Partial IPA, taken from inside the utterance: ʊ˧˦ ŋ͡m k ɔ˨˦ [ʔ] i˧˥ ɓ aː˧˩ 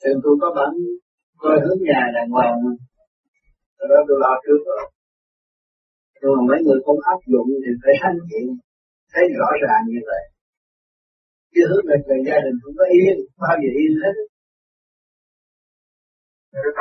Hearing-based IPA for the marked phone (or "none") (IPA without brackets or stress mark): ʔ